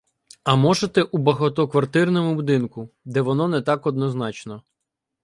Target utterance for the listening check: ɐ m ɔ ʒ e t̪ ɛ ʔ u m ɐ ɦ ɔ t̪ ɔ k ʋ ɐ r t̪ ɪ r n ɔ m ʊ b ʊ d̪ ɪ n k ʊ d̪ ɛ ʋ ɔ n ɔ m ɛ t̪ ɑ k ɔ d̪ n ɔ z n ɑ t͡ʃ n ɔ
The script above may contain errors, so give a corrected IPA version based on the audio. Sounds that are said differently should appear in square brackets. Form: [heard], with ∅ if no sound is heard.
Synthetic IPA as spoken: ɐ m ɔ ʒ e t̪ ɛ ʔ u [b] ɐ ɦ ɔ t̪ ɔ k ʋ ɐ r t̪ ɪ r n ɔ m ʊ b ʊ d̪ ɪ n k ʊ d̪ ɛ ʋ ɔ n ɔ [n] ɛ t̪ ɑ k ɔ d̪ n ɔ z n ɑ t͡ʃ n ɔ